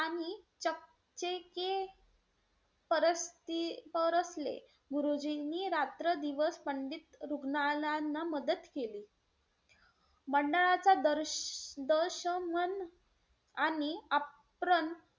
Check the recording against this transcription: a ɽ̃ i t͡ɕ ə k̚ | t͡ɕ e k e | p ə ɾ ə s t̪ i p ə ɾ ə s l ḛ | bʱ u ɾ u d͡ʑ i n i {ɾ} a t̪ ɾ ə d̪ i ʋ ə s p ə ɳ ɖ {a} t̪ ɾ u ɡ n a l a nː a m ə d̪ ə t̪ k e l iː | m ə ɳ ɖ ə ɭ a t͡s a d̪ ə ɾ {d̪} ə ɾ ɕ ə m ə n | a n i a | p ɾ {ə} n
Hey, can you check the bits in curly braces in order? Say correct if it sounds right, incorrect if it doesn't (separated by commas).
correct, incorrect, correct, correct